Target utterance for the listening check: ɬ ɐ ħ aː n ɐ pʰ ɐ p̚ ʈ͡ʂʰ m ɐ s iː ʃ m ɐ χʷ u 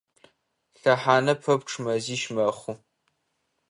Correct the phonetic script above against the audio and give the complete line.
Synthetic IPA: ɬ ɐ ħ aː n ɐ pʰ ɐ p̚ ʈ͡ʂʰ m ɐ z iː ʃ m ɐ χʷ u